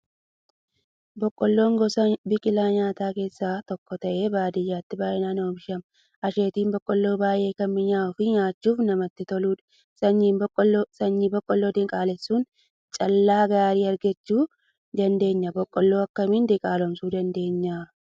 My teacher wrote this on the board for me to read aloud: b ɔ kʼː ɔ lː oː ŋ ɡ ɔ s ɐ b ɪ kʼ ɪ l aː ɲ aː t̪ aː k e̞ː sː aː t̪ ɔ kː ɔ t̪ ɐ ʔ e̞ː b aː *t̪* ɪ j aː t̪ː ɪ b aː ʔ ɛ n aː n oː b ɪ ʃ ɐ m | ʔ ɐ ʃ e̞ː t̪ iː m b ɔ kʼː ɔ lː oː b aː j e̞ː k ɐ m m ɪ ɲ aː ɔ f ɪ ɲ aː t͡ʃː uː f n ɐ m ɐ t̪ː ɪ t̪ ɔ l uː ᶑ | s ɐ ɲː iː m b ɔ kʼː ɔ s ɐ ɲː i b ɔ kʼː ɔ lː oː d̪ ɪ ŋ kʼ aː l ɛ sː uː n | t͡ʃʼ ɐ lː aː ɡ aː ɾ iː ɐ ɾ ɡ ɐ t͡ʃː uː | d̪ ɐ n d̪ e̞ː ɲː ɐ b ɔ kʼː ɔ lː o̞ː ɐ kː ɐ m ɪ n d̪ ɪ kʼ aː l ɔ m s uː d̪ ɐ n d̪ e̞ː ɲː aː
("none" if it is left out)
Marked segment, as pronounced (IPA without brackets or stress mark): d̪